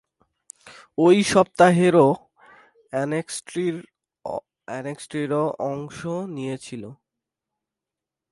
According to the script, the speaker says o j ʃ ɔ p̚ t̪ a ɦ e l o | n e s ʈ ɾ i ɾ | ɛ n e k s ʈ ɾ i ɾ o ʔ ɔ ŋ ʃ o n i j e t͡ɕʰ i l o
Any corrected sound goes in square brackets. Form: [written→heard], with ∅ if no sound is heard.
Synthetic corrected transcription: o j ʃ ɔ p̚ t̪ a ɦ e [l→ɾ] o | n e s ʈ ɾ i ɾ | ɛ n e k s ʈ ɾ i ɾ o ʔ ɔ ŋ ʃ o n i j e t͡ɕʰ i l o